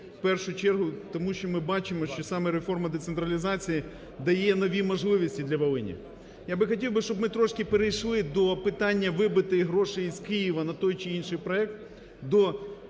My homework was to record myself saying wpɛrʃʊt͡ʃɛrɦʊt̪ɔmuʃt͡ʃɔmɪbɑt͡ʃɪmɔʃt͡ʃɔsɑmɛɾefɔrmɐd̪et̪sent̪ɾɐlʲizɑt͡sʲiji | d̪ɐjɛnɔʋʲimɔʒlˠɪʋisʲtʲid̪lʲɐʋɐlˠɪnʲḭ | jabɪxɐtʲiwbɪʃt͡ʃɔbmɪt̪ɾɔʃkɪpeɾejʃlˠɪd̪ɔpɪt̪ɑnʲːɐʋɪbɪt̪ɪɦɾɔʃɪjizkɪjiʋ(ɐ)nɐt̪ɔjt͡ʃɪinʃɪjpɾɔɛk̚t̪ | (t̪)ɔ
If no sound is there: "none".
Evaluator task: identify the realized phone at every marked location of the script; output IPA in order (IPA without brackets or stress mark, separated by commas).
ɐ, d̪